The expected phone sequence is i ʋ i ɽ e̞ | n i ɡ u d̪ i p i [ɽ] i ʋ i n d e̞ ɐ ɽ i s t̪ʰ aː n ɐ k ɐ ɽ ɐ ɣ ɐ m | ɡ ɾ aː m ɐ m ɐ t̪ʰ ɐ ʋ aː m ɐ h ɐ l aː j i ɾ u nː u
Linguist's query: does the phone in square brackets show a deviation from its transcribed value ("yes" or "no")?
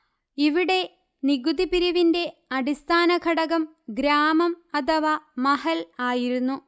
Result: yes